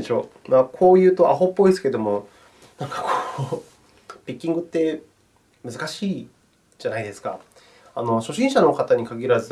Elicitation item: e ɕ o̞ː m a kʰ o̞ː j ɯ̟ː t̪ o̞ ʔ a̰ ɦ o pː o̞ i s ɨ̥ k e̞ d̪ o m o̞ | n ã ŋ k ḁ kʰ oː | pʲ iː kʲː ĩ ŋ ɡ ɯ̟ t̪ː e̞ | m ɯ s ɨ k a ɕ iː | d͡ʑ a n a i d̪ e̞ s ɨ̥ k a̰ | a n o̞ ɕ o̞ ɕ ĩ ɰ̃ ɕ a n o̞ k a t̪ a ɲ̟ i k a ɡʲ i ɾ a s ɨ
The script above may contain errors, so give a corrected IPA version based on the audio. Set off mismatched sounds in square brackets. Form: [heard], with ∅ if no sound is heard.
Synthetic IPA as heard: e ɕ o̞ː m a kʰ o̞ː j ɯ̟ː t̪ o̞ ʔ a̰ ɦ o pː o̞ i s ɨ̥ k e̞ d̪ o m o̞ | n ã ŋ k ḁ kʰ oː | pʲ [i] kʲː ĩ ŋ ɡ ɯ̟ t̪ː e̞ | m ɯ [z] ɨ k a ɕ iː | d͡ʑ a n a i d̪ e̞ s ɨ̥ k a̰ | a n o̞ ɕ o̞ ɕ ĩ ɰ̃ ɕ a n o̞ k a t̪ a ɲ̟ i k a ɡʲ i ɾ a [z] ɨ